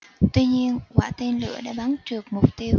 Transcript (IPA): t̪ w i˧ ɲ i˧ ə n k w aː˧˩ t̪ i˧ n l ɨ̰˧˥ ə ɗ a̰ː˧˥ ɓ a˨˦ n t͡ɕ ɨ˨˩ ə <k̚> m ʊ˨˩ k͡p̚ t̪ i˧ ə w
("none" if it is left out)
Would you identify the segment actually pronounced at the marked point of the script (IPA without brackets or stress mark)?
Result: k̚